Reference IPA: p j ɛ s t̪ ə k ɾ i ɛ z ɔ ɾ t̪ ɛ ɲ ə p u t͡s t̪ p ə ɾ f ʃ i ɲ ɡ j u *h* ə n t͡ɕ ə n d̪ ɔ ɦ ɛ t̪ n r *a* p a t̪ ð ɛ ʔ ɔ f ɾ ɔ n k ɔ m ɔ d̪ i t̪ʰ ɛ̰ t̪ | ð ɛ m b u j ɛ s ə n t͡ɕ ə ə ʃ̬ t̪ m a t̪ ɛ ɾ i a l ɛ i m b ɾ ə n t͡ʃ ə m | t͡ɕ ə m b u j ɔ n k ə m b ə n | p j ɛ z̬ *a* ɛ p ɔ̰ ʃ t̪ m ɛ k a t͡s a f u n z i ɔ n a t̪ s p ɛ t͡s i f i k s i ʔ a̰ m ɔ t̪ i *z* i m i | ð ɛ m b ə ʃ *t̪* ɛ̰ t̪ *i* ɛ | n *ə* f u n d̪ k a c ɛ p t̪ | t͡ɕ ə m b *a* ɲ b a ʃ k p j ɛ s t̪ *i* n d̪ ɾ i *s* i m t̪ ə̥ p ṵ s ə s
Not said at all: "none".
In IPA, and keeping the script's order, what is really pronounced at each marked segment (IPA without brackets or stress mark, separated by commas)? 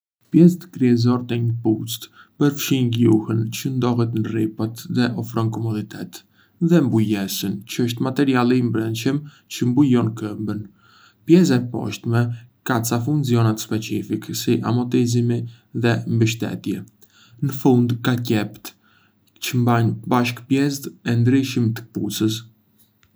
h, i, a, z, t̪, j, ə, a, ɛ, ʃ